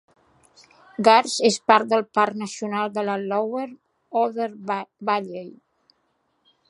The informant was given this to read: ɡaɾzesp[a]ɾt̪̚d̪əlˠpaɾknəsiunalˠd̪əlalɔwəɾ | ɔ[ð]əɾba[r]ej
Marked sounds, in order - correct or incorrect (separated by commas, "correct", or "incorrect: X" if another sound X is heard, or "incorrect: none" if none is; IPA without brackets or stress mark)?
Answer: correct, correct, incorrect: ʎ